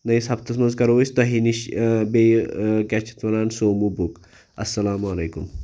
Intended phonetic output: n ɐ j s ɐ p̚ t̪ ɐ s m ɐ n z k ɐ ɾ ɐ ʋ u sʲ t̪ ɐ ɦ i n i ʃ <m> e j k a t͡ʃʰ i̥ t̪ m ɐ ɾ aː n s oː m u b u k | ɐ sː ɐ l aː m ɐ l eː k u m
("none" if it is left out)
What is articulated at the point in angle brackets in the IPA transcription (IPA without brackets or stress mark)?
b